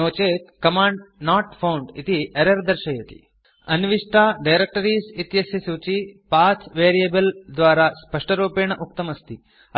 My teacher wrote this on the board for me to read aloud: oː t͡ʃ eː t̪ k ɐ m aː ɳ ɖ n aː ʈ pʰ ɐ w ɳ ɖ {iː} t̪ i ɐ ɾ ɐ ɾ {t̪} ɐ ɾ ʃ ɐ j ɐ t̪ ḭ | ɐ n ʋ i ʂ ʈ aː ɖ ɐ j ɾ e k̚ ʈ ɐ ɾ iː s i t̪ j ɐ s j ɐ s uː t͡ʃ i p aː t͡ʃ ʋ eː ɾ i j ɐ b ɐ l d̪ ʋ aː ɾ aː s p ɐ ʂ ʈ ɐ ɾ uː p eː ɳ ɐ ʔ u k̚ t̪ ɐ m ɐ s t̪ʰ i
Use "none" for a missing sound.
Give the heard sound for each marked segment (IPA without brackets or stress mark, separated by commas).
i, d̪